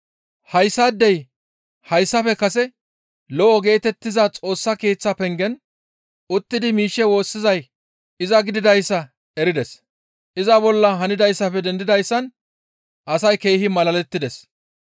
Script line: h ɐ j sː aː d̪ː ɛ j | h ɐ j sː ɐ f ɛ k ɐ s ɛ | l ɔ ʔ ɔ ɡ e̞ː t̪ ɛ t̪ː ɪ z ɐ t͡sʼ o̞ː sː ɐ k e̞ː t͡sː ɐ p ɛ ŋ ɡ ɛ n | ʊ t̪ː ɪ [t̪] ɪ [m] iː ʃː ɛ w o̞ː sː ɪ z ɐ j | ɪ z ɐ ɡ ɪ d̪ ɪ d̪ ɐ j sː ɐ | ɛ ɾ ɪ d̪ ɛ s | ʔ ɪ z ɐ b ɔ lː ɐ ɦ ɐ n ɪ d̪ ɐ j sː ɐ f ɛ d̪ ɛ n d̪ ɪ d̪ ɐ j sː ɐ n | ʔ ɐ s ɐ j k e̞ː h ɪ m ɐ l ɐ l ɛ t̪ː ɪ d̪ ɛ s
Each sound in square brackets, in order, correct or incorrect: incorrect, correct

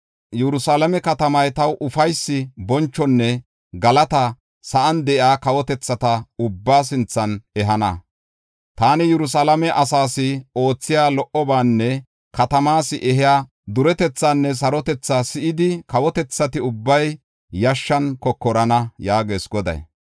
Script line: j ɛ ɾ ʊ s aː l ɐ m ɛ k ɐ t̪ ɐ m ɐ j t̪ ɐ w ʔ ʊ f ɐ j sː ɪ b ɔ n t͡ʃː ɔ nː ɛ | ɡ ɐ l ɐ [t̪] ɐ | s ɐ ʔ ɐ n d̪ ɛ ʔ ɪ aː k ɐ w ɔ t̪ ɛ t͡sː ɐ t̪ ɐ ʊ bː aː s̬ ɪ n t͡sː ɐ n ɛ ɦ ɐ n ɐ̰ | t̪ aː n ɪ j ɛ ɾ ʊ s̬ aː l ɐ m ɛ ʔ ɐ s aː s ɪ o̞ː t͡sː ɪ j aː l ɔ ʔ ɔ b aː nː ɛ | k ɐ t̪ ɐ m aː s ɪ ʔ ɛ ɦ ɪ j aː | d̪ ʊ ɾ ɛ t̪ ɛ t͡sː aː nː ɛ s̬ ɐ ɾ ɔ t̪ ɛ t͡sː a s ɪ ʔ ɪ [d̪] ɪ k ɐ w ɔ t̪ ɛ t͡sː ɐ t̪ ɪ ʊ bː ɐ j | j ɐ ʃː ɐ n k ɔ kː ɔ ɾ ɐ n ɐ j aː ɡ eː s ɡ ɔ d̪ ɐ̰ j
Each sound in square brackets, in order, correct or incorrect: correct, correct

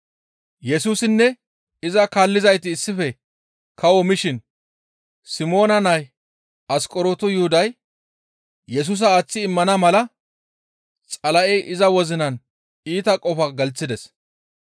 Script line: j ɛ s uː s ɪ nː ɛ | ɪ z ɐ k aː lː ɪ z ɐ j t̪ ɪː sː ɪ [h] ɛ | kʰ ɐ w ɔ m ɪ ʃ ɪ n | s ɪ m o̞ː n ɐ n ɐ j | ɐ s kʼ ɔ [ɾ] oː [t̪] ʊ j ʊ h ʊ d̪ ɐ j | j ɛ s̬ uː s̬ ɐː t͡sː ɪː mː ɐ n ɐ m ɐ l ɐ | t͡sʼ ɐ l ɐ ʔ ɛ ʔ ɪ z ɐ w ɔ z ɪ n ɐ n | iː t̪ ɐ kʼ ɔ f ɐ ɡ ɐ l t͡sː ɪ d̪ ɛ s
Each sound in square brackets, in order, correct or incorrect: incorrect, correct, correct

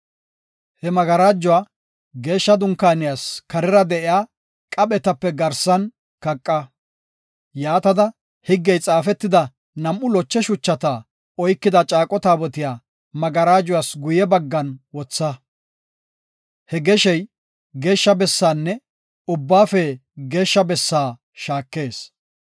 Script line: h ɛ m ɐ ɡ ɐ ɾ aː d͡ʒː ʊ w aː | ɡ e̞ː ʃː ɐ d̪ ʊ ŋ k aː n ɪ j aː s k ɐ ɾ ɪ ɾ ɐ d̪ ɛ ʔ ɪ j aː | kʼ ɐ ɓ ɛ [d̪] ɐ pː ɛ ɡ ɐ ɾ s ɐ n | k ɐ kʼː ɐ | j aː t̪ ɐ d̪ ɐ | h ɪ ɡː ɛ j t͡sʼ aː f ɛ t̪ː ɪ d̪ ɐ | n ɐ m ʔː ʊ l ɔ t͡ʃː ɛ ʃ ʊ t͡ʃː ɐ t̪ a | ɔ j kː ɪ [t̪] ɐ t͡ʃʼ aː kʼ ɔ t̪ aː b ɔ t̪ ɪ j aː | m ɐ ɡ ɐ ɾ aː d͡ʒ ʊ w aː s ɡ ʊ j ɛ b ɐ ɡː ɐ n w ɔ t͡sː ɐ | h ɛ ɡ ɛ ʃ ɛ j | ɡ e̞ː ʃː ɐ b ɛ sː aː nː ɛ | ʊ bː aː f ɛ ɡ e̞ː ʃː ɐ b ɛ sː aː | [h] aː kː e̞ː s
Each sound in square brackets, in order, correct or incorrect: incorrect, incorrect, incorrect

